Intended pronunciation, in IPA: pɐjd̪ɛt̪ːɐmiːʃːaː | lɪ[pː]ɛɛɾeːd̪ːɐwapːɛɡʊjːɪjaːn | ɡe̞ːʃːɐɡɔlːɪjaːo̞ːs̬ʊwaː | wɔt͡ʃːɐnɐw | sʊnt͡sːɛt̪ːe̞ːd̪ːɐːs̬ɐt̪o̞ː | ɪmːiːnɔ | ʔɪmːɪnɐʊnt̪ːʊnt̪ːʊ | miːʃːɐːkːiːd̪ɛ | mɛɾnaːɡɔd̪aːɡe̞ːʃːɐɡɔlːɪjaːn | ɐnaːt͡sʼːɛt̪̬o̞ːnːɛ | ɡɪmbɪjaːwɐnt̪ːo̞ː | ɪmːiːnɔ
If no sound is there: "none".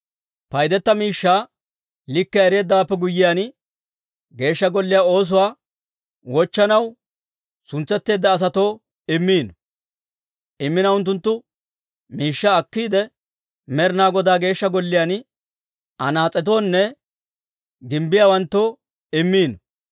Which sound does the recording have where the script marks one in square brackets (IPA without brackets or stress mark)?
kː